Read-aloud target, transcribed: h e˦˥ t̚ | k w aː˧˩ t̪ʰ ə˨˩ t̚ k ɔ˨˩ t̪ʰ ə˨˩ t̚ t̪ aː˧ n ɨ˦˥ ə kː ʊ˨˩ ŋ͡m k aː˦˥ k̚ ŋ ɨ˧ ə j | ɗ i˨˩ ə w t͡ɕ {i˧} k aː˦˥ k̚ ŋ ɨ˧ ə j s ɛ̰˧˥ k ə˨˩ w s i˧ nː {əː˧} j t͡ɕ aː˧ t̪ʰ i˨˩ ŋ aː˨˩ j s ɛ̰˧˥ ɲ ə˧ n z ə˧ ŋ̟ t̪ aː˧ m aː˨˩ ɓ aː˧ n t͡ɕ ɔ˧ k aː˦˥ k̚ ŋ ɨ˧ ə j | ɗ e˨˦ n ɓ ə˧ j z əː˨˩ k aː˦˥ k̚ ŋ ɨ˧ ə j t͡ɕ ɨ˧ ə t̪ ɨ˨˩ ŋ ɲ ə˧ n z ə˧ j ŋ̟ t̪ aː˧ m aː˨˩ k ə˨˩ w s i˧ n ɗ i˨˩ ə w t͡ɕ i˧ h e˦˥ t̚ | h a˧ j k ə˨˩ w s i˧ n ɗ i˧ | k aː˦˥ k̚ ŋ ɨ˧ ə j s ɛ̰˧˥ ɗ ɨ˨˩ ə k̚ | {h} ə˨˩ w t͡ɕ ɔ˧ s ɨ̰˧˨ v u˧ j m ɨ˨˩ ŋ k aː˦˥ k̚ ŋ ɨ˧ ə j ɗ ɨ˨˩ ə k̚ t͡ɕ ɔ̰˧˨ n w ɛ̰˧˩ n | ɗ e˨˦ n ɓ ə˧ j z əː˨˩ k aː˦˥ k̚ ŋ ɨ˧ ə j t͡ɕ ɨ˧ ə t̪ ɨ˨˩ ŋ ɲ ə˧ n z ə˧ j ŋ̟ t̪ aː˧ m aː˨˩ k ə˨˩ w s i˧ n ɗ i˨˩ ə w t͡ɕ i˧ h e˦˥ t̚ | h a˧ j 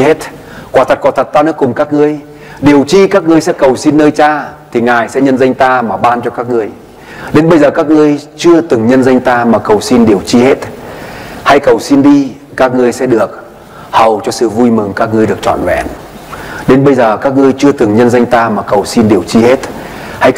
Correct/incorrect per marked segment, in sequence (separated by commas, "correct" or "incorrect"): correct, correct, correct